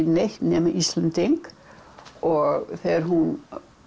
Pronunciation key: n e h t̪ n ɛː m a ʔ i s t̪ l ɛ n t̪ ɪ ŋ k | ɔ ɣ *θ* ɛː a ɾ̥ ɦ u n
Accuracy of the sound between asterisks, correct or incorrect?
correct